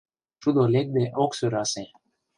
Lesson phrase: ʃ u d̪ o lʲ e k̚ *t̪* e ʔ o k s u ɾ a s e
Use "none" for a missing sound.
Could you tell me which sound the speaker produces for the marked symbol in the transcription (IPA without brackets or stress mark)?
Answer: d̪